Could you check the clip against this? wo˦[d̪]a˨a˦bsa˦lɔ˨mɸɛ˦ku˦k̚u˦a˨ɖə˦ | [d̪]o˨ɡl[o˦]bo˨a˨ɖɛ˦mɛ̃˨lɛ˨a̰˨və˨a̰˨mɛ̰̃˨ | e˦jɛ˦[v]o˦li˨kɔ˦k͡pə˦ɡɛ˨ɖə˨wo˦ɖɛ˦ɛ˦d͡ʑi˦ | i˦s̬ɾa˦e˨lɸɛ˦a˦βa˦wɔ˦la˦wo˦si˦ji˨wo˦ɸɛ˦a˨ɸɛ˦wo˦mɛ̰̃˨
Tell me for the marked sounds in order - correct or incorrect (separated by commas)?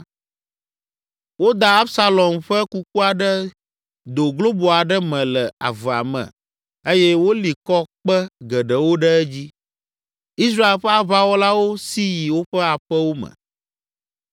correct, correct, correct, incorrect